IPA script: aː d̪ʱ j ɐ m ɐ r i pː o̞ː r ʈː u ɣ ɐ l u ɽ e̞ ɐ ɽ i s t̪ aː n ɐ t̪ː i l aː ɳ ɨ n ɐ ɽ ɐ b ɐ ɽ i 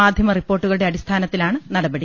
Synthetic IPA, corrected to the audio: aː d̪ʱ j ɐ m ɐ r i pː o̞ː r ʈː u ɣ ɐ ɭ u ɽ e̞ ɐ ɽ i s t̪ʰ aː n ɐ t̪ː i l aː ɳ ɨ n ɐ ɽ ɐ b ɐ ɽ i